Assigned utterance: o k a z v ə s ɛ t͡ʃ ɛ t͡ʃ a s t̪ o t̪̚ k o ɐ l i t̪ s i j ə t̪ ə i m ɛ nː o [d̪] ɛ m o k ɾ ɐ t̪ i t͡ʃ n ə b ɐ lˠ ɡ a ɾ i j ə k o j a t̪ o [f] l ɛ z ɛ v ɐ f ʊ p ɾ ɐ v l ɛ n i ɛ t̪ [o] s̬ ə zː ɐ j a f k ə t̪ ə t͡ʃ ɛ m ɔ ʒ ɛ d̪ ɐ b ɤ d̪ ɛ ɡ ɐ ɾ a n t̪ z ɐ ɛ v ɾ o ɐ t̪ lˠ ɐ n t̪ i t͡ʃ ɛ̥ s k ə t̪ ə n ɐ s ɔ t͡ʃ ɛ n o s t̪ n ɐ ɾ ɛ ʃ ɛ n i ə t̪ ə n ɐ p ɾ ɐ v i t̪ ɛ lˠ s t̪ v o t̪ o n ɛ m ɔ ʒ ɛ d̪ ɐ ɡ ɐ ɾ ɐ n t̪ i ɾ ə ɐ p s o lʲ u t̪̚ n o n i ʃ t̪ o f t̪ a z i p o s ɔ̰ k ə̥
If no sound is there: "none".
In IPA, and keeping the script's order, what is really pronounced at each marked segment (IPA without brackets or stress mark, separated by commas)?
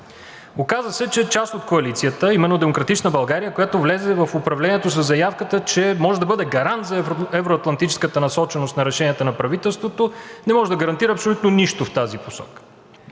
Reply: d̪, v, o